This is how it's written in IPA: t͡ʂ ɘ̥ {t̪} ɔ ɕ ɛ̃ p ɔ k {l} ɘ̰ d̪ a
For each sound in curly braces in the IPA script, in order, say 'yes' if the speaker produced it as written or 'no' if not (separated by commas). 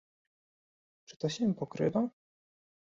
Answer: yes, no